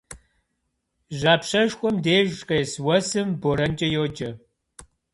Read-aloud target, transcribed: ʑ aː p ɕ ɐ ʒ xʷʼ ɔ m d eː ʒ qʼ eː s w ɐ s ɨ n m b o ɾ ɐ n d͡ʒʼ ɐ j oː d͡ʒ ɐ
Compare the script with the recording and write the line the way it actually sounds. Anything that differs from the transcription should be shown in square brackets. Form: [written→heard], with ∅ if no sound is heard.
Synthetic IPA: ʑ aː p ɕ ɐ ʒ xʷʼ ɔ m d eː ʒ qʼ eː s w ɐ s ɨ [n→∅] m b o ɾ ɐ n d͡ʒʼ ɐ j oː d͡ʒ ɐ